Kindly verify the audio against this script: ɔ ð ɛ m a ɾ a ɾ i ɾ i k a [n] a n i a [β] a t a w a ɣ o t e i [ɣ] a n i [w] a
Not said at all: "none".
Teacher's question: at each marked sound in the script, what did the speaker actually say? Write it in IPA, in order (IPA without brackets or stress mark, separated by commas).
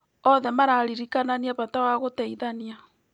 n, β, ð, none